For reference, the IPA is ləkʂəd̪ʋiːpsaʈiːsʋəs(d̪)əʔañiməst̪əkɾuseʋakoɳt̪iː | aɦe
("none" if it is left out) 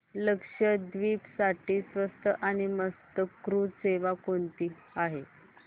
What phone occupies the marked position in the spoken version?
t̪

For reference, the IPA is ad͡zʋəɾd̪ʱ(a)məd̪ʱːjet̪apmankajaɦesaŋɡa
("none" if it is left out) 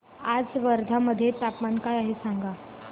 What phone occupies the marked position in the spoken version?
a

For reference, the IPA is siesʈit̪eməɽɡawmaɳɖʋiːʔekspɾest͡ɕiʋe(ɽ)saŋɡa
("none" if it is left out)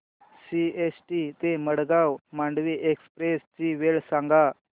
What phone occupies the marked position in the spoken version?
ɭ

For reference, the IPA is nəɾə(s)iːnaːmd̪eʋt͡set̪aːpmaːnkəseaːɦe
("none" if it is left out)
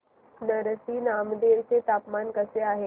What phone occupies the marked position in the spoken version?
s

